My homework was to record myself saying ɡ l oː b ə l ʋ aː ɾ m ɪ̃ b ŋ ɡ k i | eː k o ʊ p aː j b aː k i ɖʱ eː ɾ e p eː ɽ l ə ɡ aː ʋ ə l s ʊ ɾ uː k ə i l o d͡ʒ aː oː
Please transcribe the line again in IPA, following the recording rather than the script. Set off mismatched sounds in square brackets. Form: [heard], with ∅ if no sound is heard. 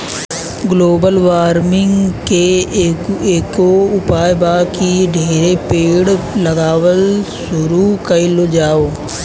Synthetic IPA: ɡ l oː b ə l ʋ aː ɾ m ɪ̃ [∅] ŋ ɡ k [e] | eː k o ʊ p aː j b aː k i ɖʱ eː ɾ e p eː ɽ l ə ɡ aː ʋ ə l s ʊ ɾ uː k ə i l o d͡ʒ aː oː